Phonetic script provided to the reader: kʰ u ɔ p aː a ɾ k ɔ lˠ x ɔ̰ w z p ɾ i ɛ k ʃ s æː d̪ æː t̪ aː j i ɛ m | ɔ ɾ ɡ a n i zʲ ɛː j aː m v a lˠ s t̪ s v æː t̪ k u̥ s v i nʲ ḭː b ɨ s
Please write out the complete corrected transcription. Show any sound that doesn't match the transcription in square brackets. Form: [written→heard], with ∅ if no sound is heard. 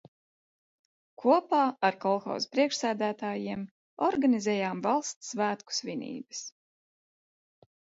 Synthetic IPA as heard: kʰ u ɔ p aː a ɾ k ɔ lˠ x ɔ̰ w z p ɾ i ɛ k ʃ s æː d̪ æː t̪ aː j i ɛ m | ɔ ɾ ɡ a n i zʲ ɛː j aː m v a lˠ s t̪ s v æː t̪ k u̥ s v i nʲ ḭː b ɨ s

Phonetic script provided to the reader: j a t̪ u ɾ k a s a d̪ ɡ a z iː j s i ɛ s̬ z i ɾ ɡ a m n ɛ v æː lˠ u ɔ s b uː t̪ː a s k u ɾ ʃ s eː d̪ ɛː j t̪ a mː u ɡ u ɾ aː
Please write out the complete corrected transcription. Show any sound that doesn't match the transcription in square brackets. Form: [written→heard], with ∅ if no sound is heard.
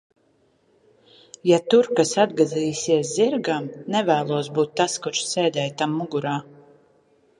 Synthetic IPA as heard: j a t̪ u ɾ k a s a d̪ ɡ a z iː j s i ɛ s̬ z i ɾ ɡ a m n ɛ v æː lˠ u ɔ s b uː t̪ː a s k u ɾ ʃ s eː d̪ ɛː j t̪ a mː u ɡ u ɾ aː

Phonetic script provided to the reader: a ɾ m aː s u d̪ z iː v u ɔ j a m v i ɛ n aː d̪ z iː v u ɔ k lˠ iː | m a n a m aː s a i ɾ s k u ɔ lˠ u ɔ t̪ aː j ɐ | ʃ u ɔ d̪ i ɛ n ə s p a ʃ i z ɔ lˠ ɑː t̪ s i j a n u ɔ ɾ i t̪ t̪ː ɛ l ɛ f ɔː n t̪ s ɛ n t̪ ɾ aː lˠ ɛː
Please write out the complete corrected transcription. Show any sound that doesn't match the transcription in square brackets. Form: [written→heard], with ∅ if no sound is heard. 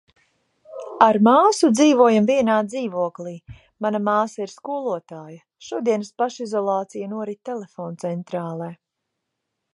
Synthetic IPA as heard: a ɾ m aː s u d̪ z iː v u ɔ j a m v i ɛ n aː d̪ z iː v u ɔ k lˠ iː | m a n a m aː s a i ɾ s k u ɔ lˠ u ɔ t̪ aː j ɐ | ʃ u ɔ d̪ i ɛ n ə s p a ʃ i z ɔ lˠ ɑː t̪ s i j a n u ɔ ɾ i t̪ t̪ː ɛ l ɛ f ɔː n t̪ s ɛ n t̪ ɾ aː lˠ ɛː

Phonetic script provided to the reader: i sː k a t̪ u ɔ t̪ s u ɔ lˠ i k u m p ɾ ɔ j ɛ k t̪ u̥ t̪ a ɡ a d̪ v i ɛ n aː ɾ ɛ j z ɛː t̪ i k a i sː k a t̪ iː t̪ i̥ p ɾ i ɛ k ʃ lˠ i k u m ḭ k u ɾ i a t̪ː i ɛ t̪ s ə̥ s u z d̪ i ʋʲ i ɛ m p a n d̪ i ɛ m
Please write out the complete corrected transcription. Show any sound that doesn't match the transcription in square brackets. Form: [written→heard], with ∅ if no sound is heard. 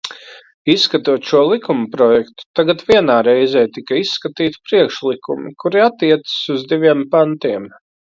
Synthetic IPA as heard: i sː k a t̪ u ɔ t̪ [s→ʃ] u ɔ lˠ i k u m p ɾ ɔ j ɛ k t̪ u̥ t̪ a ɡ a [d̪→t̪] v i ɛ n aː ɾ ɛ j z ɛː t̪ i k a i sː k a t̪ iː t̪ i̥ p ɾ i ɛ k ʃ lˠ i k u m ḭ k u ɾ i a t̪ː i ɛ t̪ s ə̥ s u z d̪ i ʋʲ i ɛ m p a n [d̪→t̪] i ɛ m

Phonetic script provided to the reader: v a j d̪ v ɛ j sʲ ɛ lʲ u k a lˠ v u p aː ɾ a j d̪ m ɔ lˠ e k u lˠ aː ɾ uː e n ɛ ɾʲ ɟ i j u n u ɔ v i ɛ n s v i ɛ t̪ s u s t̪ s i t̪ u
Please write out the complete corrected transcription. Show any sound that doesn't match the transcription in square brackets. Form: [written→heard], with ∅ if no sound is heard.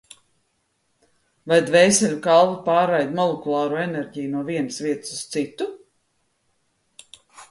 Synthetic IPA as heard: v a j d̪ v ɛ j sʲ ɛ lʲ u k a lˠ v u p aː ɾ a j d̪ m ɔ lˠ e k u lˠ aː ɾ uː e n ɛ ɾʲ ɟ i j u n u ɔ v i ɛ n s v i ɛ t̪ s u s t̪ s i t̪ u

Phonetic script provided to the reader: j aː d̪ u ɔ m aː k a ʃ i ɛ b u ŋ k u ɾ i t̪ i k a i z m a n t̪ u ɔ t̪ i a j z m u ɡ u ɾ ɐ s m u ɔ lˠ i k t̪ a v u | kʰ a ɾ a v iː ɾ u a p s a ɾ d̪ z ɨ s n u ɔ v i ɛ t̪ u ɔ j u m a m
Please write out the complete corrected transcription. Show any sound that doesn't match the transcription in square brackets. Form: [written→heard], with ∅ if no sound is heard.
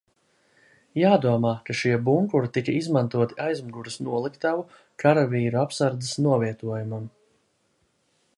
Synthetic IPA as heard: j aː d̪ u ɔ m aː k a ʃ i ɛ b u ŋ k u ɾ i t̪ i k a i z m a n t̪ u ɔ t̪ i a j z m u ɡ u ɾ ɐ s [m→n] u ɔ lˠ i k t̪ a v u | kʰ a ɾ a v iː ɾ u a p s a ɾ d̪ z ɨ s n u ɔ v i ɛ t̪ u ɔ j u m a m

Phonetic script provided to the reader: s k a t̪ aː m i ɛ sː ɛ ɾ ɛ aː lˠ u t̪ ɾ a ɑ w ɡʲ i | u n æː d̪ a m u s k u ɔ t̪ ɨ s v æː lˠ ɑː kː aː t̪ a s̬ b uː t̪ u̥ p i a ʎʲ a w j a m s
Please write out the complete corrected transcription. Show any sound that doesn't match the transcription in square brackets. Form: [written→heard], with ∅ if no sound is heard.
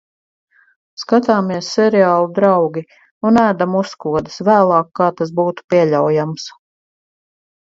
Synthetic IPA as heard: s k a t̪ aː m i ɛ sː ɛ ɾ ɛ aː lˠ u [t̪→d̪] ɾ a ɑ w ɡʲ i | u n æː d̪ a m u s k u ɔ [t̪→d̪] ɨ s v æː lˠ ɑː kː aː t̪ a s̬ b uː t̪ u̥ p i [a→ɛ] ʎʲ a w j a m s

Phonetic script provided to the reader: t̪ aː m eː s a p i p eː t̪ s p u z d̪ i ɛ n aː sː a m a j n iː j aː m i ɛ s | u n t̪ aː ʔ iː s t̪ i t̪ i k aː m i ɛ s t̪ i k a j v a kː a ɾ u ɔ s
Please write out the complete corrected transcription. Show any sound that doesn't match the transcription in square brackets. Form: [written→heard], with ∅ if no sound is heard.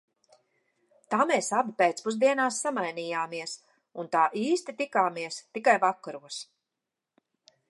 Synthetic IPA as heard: t̪ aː m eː s a [p→b] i p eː t̪ s p u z d̪ i ɛ n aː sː a m a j n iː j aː m i ɛ s | u n t̪ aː ʔ iː s t̪ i t̪ i k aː m i ɛ s t̪ i k a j v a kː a ɾ u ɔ s

